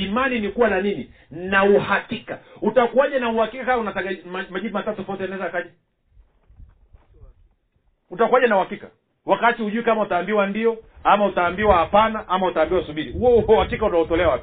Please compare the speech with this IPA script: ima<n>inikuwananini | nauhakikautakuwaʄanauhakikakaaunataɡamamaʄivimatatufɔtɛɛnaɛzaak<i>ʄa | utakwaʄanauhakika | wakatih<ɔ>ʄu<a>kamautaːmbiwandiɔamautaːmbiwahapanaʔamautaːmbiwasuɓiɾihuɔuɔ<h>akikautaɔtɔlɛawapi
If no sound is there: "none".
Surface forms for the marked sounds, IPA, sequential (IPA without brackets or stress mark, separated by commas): n, a, u, i, h